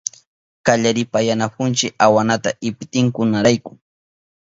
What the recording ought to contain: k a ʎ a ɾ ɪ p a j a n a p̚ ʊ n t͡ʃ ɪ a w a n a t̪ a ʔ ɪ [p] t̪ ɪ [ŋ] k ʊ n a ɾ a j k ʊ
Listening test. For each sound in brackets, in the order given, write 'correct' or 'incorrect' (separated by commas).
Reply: correct, correct